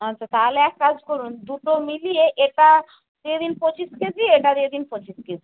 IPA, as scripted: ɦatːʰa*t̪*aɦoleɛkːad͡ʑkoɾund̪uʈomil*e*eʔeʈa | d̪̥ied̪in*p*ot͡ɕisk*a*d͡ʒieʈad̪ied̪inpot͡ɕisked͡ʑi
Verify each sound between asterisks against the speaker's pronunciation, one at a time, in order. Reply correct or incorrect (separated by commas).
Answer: correct, incorrect, correct, incorrect